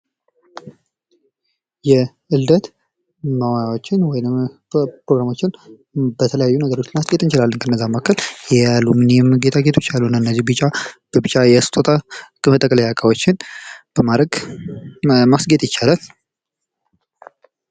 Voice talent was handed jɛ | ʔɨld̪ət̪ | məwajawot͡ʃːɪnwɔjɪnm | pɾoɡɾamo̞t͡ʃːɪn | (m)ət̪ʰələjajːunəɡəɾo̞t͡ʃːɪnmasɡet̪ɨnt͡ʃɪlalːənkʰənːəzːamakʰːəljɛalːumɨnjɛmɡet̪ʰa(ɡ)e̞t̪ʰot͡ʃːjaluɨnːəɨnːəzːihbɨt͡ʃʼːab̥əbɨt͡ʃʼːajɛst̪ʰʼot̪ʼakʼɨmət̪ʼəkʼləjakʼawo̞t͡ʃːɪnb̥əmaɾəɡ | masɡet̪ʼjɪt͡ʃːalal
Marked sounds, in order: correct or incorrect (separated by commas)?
incorrect, correct